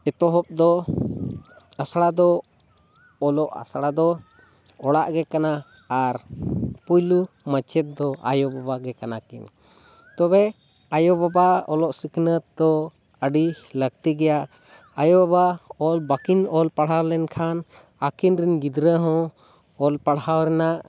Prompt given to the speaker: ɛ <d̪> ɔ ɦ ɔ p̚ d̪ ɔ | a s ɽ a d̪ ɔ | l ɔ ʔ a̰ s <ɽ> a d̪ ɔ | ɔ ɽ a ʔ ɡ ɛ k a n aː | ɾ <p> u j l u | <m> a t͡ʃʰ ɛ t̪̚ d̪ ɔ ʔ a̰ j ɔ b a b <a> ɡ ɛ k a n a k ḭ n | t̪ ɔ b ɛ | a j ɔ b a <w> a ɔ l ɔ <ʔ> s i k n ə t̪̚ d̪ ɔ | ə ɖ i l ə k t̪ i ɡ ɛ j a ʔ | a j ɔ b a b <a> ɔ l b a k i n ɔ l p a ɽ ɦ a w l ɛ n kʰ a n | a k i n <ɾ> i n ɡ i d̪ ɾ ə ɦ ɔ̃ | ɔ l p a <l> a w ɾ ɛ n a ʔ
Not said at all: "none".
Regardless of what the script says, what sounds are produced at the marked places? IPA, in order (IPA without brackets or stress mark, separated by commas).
t̪, ɽ, p, m, a, b, ʔ, a, ɾ, ɽ